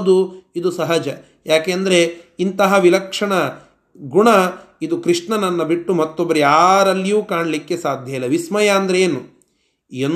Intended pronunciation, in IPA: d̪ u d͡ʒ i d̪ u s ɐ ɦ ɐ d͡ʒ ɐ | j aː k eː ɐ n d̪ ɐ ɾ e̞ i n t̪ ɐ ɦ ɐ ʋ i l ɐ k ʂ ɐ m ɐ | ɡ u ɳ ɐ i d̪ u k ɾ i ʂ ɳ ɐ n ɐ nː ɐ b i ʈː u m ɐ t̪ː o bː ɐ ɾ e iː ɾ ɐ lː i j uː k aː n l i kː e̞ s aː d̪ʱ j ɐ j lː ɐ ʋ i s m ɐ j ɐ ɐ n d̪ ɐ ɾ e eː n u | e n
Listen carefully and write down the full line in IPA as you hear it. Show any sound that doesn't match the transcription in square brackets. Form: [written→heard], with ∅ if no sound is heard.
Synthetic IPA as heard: d̪ u [d͡ʒ→∅] i d̪ u s ɐ ɦ ɐ d͡ʒ ɐ | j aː k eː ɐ n d̪ ɐ ɾ e̞ i n t̪ ɐ ɦ ɐ ʋ i l ɐ k ʂ ɐ [m→ɳ] ɐ | ɡ u ɳ ɐ i d̪ u k ɾ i ʂ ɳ ɐ n ɐ nː ɐ b i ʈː u m ɐ t̪ː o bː ɐ ɾ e [iː→aː] ɾ ɐ lː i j uː k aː [n→ɳ] l i kː e̞ s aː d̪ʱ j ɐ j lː ɐ ʋ i s m ɐ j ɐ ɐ n d̪ ɐ ɾ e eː n u | e n